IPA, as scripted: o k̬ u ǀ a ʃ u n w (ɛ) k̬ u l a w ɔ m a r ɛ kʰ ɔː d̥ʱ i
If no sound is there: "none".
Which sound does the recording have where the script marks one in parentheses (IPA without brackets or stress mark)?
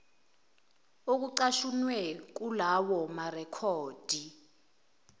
ɛ